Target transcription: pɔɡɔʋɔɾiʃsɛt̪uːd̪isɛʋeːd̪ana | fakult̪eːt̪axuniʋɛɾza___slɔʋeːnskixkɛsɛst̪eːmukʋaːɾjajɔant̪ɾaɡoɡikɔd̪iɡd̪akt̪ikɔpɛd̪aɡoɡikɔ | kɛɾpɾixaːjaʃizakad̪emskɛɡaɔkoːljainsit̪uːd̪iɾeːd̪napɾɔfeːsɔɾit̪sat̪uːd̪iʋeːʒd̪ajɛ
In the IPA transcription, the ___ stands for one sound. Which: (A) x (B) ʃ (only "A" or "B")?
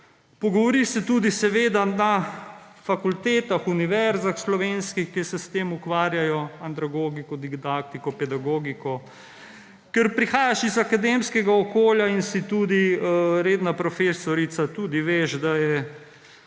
A